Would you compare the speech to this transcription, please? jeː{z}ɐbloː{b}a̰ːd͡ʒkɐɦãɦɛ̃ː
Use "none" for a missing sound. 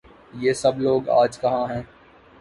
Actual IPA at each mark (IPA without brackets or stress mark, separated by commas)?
s, ɡ